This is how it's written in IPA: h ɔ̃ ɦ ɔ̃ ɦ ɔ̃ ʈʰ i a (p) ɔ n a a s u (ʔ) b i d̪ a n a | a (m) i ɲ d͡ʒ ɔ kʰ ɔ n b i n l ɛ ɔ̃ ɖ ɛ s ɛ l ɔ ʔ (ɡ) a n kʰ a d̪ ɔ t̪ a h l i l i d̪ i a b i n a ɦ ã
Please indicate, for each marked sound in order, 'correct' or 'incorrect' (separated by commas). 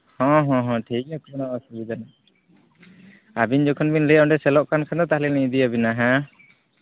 incorrect, incorrect, incorrect, incorrect